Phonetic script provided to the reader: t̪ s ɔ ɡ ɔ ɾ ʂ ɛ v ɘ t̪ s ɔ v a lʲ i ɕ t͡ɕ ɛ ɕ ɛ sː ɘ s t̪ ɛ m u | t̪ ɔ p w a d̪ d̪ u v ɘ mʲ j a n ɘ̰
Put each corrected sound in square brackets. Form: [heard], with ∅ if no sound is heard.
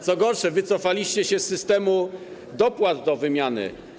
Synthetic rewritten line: t̪ s ɔ ɡ ɔ ɾ ʂ ɛ v ɘ t̪ s ɔ [f] a lʲ i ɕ t͡ɕ ɛ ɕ ɛ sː ɘ s t̪ ɛ m u | [d̪] ɔ p w a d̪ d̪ [ɔ] v ɘ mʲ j a n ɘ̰